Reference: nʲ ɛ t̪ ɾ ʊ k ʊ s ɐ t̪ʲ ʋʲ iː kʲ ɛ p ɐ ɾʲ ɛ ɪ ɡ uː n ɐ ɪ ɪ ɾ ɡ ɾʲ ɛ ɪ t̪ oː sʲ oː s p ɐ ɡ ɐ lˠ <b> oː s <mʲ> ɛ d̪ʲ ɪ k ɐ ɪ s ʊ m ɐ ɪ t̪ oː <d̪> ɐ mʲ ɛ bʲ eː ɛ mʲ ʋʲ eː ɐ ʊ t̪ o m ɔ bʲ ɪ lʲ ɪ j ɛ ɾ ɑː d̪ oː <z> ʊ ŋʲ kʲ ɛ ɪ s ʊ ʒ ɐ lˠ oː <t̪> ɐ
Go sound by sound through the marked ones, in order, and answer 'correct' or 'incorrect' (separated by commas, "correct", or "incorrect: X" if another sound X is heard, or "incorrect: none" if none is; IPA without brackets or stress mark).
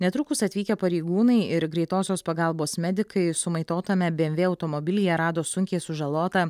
correct, correct, incorrect: t̪, incorrect: s, correct